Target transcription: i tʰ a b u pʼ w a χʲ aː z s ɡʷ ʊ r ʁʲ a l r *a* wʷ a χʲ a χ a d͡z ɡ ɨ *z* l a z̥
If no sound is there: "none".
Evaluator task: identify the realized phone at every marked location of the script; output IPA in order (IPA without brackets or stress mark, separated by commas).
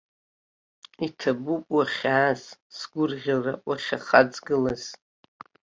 a, none